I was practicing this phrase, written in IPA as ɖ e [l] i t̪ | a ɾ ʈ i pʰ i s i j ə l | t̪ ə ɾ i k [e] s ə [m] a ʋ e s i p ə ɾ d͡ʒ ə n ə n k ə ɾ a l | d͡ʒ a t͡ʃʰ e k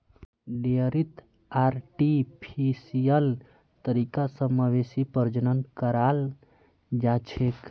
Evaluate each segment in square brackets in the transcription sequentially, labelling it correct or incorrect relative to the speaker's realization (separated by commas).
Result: incorrect, incorrect, correct